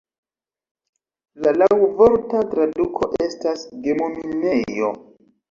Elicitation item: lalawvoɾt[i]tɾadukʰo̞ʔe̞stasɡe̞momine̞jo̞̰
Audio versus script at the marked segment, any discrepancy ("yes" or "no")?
yes